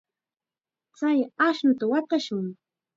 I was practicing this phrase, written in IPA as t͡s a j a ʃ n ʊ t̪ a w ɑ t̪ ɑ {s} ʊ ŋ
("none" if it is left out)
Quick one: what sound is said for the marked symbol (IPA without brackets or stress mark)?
ʃ